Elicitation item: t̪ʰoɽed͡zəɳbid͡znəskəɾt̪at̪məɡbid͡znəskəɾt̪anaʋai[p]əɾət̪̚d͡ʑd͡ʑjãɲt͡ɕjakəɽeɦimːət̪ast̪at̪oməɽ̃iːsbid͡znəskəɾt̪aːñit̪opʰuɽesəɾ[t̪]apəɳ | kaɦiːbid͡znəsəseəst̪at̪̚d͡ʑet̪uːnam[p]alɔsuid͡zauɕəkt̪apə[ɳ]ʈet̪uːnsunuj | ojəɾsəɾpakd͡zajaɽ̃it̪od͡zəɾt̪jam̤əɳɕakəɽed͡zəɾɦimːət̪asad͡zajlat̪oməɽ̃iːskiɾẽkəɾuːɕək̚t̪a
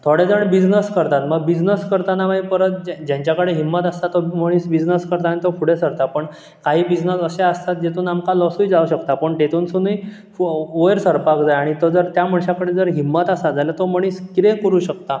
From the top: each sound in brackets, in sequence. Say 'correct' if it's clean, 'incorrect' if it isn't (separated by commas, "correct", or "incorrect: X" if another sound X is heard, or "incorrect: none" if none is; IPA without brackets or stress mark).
correct, correct, incorrect: k, correct